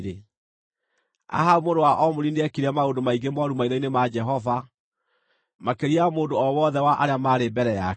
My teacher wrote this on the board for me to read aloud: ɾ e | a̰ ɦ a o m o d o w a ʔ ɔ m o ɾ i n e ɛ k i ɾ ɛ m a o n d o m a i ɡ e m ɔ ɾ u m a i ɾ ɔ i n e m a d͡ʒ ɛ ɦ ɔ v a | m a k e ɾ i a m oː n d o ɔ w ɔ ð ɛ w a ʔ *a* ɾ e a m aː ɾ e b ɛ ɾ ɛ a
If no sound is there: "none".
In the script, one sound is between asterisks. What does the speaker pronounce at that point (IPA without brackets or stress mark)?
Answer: a